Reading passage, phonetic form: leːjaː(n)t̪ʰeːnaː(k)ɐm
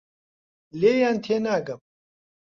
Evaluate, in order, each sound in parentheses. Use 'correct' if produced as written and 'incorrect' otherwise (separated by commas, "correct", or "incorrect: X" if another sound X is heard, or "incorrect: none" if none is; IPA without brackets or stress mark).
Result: correct, incorrect: ɡ